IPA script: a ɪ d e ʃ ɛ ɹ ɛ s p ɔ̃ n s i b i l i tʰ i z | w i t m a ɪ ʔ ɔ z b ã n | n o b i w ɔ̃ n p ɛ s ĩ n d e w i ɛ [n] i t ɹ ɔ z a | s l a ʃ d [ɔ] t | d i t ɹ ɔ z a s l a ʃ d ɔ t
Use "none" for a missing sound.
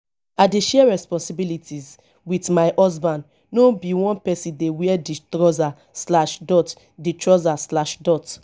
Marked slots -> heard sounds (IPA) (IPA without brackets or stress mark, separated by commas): d, ɔ